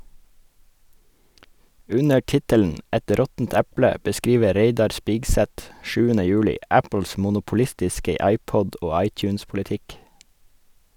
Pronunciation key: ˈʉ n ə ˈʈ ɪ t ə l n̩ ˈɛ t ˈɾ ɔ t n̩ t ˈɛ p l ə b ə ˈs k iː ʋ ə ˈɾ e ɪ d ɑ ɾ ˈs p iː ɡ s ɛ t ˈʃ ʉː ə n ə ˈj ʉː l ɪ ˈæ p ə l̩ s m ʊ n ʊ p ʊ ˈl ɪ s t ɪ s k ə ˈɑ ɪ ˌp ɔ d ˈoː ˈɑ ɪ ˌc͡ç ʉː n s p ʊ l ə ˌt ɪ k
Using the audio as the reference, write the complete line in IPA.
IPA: ˈʉ n ə ˈʈ ɪ t ə l n̩ ˈɛ t ˈɾ ɔ t n̩ t ˈɛ p l ə b ə ˈs k iː ʋ ə ˈɾ e ɪ d ɑ ɾ ˈs p iː ɡ s ɛ t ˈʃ ʉː ə n ə ˈj ʉː l ɪ ˈæ p ə l̩ s m ʊ n ʊ p ʊ ˈl ɪ s t ɪ s k ə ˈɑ ɪ ˌp ɔ d ˈoː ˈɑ ɪ ˌc͡ç ʉː n s p ʊ l ə ˌt ɪ k